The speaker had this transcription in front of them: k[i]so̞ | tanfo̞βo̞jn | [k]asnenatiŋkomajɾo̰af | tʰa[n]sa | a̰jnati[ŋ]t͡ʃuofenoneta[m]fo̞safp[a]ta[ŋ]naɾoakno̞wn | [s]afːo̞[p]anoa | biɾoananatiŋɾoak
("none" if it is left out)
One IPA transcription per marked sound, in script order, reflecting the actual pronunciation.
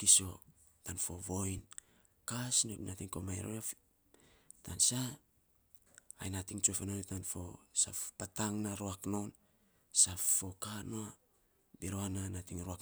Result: i, k, n, ŋ, n, a, ŋ, s, k

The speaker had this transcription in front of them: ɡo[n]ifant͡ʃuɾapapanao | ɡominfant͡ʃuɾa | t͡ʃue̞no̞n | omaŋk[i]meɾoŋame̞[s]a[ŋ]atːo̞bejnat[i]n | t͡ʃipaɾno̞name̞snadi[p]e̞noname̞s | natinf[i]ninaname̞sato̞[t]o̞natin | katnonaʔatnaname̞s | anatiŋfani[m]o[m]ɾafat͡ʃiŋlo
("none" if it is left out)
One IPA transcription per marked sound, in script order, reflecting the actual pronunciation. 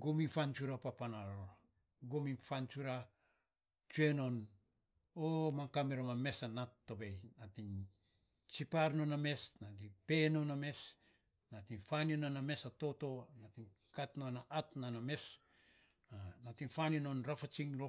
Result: m, a, s, n, i, p, a, t, n, n

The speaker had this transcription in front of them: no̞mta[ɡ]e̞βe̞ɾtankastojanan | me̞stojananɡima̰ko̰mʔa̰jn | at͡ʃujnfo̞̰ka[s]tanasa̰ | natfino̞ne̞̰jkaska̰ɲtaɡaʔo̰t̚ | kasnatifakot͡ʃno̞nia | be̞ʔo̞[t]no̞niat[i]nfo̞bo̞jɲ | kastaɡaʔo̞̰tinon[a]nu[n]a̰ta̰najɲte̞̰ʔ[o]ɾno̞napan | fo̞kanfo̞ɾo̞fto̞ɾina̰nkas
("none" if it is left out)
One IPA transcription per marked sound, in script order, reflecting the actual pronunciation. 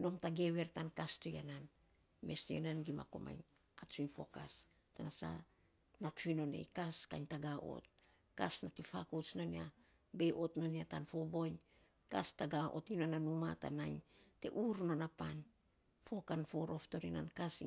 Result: ɡ, s, t, a, a, m, u

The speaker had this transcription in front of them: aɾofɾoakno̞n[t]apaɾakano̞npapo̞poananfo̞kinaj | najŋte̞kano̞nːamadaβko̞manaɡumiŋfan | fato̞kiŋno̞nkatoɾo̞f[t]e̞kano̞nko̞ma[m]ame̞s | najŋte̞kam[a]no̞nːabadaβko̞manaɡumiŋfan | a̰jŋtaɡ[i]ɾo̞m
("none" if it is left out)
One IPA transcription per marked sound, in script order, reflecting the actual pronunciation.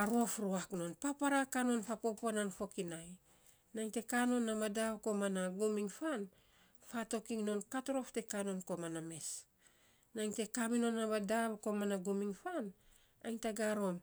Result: p, t, n, i, a

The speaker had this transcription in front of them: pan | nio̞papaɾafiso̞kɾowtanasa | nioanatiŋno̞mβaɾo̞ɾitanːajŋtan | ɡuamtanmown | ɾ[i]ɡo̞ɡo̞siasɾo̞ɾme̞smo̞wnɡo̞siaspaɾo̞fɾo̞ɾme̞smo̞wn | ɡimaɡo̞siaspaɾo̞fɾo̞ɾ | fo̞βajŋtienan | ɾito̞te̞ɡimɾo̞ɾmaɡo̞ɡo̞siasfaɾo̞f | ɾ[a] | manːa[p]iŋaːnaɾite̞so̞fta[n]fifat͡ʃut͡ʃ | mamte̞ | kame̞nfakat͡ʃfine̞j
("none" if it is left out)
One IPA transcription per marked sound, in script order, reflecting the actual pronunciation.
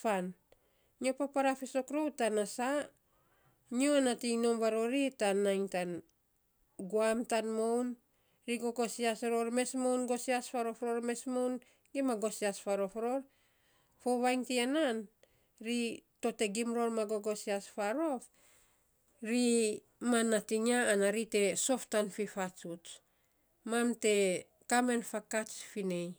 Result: i, i, t, n

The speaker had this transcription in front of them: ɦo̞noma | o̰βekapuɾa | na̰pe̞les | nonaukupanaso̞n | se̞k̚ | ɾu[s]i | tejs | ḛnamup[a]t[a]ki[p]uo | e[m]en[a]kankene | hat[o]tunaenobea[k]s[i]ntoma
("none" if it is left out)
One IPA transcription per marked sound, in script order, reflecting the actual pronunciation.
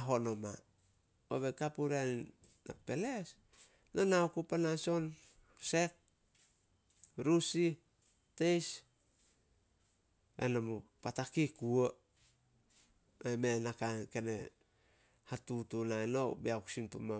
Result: s, a, a, k, m, a, u, k, i

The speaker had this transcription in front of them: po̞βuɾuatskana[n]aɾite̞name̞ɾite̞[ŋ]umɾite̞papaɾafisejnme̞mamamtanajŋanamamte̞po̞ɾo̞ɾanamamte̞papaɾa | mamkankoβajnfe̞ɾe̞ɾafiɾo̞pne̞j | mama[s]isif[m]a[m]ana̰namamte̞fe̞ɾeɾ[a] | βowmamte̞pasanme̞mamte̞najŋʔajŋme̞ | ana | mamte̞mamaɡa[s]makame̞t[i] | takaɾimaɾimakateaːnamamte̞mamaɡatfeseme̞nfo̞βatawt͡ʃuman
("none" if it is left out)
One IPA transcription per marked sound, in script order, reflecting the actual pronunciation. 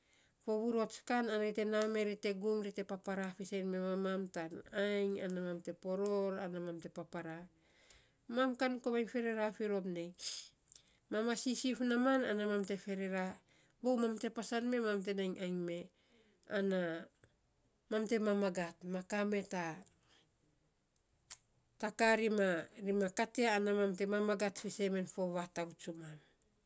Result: n, ɡ, s, n, m, a, t, a

